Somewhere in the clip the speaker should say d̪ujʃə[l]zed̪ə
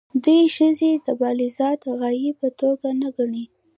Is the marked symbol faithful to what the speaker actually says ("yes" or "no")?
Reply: no